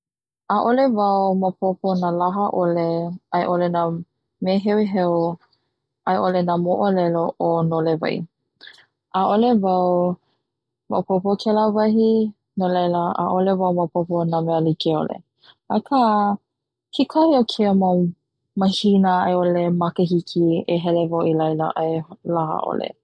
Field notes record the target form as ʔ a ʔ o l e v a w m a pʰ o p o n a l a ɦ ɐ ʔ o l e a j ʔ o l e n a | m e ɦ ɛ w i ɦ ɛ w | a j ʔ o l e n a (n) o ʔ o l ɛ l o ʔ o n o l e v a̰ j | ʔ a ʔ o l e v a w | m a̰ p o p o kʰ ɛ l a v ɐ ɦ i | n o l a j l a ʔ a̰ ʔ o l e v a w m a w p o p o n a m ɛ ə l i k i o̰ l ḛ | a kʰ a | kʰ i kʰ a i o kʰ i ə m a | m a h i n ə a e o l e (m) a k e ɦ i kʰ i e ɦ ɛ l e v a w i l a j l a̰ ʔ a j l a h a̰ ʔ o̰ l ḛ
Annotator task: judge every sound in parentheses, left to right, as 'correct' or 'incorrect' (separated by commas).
incorrect, correct